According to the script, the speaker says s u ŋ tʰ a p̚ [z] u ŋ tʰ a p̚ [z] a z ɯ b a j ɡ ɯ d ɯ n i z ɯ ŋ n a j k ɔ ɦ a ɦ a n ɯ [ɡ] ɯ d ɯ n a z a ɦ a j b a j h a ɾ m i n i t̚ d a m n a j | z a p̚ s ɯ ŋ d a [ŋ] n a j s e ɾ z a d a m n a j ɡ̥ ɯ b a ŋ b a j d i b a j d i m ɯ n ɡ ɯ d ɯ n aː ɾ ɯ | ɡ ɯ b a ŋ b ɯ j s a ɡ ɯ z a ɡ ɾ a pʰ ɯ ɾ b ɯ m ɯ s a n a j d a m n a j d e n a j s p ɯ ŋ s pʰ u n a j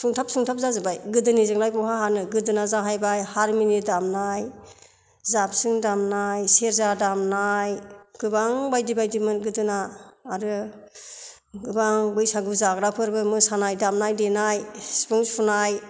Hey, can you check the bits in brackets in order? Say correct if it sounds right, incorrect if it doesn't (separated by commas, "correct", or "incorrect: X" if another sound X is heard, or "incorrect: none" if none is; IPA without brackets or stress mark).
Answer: incorrect: s, correct, correct, incorrect: m